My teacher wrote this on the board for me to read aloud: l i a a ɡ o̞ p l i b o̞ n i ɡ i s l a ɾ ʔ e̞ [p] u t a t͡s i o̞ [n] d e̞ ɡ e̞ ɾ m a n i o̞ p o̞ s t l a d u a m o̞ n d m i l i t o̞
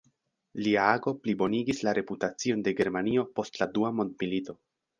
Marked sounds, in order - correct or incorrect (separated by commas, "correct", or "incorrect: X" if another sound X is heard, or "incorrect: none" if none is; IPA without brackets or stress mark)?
correct, correct